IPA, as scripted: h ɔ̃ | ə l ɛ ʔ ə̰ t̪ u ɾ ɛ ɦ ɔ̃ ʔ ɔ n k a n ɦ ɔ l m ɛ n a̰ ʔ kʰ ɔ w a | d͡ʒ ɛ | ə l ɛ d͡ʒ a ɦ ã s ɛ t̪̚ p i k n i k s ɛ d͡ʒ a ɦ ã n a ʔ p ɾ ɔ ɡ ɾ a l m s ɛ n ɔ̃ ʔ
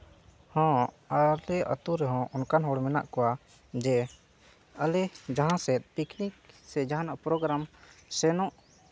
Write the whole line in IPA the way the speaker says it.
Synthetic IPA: h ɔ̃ | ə l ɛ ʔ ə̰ t̪ u ɾ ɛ ɦ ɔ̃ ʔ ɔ n k a n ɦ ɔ ɽ m ɛ n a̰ ʔ k ɔ w a | d͡ʒ ɛ | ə l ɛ d͡ʒ a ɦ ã s ɛ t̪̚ p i k n i k s ɛ d͡ʒ a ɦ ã n a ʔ p ɾ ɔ ɡ ɾ a m s ɛ n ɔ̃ ʔ

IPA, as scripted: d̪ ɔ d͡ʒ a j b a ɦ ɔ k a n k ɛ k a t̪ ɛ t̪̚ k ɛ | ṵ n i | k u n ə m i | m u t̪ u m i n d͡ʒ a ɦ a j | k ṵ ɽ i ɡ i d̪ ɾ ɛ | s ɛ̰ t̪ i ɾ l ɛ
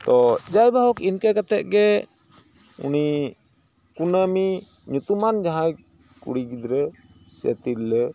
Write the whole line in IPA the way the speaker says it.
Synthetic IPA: t̪ ɔ d͡ʒ a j b a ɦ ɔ k i n k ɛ k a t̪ ɛ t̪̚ ɡ ɛ | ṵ n i | k u n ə m i | ɲ u t̪ u m a n d͡ʒ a ɦ a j | k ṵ ɽ i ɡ i d̪ ɾ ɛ | s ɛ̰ t̪ i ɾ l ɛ

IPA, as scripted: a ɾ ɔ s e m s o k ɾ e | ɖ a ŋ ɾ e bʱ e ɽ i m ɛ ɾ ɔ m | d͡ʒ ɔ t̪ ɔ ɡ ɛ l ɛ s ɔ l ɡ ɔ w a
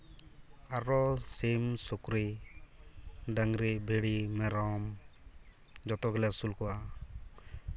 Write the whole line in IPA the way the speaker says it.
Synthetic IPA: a ɾ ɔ s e m s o k ɾ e | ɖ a ŋ ɾ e bʱ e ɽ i m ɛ ɾ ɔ m | d͡ʒ ɔ t̪ ɔ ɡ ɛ l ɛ s u l k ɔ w a

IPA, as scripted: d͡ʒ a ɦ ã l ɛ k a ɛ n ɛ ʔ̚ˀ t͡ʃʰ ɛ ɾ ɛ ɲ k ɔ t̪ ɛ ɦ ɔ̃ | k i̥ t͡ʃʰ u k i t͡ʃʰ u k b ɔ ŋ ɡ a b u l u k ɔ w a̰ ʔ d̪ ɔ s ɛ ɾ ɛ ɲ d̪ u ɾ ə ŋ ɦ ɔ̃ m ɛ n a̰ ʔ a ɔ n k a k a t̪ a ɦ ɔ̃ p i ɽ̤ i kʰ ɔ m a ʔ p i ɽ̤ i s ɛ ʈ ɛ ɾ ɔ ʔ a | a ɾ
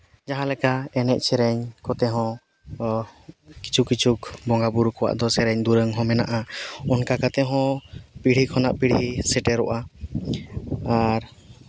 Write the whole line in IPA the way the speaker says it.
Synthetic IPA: d͡ʒ a ɦ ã l ɛ k a ɛ n ɛ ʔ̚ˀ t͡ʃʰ ɛ ɾ ɛ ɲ k ɔ t̪ ɛ ɦ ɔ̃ | k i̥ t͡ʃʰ u k i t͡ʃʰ u k b ɔ ŋ ɡ a b u ɾ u k ɔ w a̰ ʔ d̪ ɔ s ɛ ɾ ɛ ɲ d̪ u ɾ ə ŋ ɦ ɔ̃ m ɛ n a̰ ʔ a ɔ n k a k a t̪ ɛ ɦ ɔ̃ p i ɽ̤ i kʰ ɔ n a ʔ p i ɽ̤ i s ɛ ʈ ɛ ɾ ɔ ʔ a | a ɾ

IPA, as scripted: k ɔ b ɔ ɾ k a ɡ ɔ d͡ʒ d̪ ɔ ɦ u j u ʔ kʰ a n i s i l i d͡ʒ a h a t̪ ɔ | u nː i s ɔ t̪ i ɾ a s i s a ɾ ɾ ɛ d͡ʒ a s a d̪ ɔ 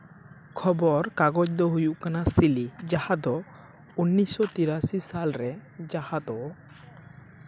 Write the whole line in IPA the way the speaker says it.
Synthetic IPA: kʰ ɔ b ɔ ɾ k a ɡ ɔ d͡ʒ d̪ ɔ ɦ u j u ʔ k a n a s i l i d͡ʒ a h a d̪ ɔ | u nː i s ɔ t̪ i ɾ a s i s a l ɾ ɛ d͡ʒ a h a d̪ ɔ

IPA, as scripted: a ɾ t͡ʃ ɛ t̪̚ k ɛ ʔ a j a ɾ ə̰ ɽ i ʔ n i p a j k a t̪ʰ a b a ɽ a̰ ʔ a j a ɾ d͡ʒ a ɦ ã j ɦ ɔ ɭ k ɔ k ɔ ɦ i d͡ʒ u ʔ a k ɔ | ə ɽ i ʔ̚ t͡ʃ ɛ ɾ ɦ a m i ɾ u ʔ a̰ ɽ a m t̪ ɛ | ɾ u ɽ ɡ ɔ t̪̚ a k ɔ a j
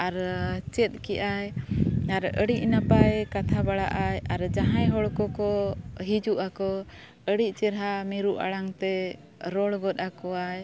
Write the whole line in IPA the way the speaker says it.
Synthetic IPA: a ɾ t͡ʃ ɛ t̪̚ k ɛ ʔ a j a ɾ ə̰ ɽ i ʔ n a p a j k a t̪ʰ a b a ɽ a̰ ʔ a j a ɾ d͡ʒ a ɦ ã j ɦ ɔ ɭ k ɔ k ɔ ɦ i d͡ʒ u ʔ a k ɔ | ə ɽ i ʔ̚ t͡ʃ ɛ ɾ ɦ a m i ɾ u ʔ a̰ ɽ a ŋ t̪ ɛ | ɾ ɔ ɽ ɡ ɔ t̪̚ a k ɔ a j

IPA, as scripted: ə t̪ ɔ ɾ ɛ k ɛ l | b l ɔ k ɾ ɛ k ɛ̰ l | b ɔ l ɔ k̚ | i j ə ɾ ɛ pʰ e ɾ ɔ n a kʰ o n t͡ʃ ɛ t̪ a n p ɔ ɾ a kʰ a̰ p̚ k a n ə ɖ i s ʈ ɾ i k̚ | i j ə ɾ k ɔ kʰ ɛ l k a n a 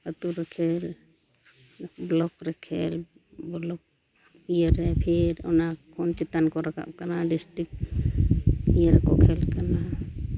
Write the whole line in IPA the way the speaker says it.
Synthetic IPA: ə t̪ u ɾ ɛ kʰ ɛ l | b l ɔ k ɾ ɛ kʰ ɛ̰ l | b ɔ l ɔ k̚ | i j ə ɾ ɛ pʰ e ɾ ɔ n a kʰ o n t͡ʃ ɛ t̪ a n k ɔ ɾ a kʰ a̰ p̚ k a n a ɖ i s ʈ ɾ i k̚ | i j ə ɾ k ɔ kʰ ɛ l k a n a

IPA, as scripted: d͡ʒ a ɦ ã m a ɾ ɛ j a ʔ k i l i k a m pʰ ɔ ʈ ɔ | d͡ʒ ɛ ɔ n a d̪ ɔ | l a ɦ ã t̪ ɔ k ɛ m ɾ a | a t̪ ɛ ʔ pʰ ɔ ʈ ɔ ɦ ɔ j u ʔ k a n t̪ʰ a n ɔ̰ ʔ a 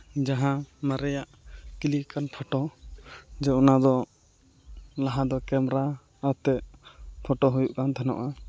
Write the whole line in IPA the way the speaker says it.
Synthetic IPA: d͡ʒ a ɦ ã m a ɾ ɛ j a ʔ k i l i k a n pʰ ɔ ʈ ɔ | d͡ʒ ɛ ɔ n a d̪ ɔ | l a ɦ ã d̪ ɔ k ɛ m ɾ a | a t̪ ɛ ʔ pʰ ɔ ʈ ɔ ɦ u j u ʔ k a n t̪ʰ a n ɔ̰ ʔ a

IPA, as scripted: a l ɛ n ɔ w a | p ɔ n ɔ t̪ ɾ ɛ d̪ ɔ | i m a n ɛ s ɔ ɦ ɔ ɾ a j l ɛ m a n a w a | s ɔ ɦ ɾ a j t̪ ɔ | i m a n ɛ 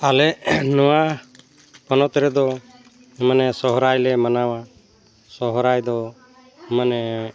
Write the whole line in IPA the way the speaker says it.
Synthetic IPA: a l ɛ n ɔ w a | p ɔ n ɔ t̪ ɾ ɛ d̪ ɔ | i m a n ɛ s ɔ ɦ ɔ ɾ a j l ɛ m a n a w a | s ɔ ɦ ɾ a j d̪ ɔ | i m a n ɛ

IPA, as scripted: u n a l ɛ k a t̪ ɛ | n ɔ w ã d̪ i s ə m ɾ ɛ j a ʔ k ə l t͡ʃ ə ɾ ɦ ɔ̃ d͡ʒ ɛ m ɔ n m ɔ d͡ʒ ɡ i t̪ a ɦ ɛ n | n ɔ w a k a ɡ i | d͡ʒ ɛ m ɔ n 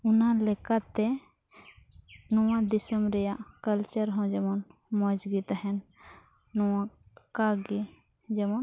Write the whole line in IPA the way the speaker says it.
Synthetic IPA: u n a l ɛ k a t̪ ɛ | n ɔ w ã d̪ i s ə m ɾ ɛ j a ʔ k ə l t͡ʃ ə ɾ ɦ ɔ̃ d͡ʒ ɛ m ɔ n m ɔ d͡ʒ ɡ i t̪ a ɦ ɛ n | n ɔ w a k a ɡ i | d͡ʒ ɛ m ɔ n

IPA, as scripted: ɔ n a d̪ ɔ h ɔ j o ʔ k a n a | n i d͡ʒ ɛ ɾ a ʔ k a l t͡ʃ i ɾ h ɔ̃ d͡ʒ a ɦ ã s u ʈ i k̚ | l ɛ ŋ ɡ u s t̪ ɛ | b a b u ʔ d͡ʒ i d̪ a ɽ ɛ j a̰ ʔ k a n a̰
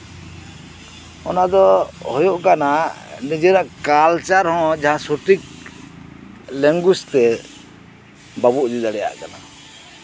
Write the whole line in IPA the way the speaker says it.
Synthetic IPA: ɔ n a d̪ ɔ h ɔ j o ʔ k a n a | n i d͡ʒ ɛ ɾ a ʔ k a l t͡ʃ a ɾ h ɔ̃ d͡ʒ a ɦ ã s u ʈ i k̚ | l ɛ ŋ ɡ u s t̪ ɛ | b a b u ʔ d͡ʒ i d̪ a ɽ ɛ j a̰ ʔ k a n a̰

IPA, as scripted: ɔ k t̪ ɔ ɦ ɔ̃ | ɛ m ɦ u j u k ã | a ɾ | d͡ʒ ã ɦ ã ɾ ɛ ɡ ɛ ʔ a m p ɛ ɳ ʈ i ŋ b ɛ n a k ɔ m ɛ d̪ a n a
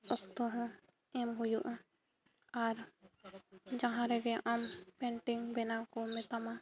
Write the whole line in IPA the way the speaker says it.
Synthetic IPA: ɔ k t̪ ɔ ɦ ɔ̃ | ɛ m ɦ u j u ʔ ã | a ɾ | d͡ʒ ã ɦ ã ɾ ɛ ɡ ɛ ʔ a m p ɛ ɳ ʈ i ŋ b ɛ n a k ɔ m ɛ t̪ a m a

